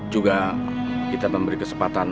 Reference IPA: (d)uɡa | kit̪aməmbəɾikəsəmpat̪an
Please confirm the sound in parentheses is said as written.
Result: no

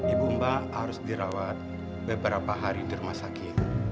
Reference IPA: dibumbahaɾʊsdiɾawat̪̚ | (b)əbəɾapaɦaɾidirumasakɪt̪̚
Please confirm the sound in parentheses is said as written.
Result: yes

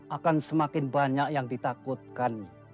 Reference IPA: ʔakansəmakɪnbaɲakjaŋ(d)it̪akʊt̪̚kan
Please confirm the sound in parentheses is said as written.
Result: yes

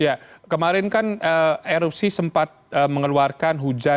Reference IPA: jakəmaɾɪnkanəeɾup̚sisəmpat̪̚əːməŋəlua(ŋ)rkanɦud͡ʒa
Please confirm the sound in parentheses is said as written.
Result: no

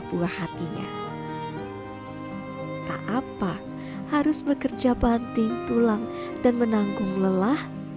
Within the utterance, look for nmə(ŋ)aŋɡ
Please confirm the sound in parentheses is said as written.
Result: no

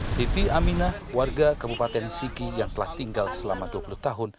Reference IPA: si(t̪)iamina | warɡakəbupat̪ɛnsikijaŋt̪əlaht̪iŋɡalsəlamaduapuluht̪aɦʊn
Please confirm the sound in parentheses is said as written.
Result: yes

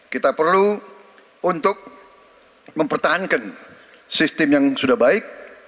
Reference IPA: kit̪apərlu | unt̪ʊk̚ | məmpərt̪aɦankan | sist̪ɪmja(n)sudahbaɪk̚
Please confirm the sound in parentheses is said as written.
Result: no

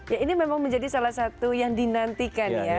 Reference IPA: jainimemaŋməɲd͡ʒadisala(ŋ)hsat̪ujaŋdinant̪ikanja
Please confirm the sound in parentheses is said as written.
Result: no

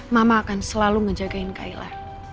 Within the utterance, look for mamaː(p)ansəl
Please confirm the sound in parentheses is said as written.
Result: no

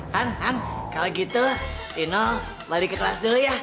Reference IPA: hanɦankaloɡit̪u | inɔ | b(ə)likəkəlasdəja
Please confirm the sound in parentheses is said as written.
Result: no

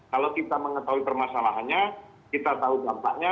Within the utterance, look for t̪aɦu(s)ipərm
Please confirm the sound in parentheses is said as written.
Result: no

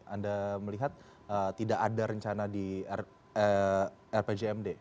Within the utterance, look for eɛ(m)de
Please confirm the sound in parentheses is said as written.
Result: yes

